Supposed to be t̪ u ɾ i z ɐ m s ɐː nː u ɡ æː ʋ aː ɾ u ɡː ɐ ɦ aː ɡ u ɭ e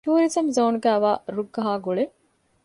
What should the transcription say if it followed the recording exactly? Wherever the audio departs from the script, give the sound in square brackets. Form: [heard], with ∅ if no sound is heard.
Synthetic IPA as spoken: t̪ [uː] ɾ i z ɐ m [z] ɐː [n] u ɡ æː ʋ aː ɾ u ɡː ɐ ɦ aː ɡ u ɭ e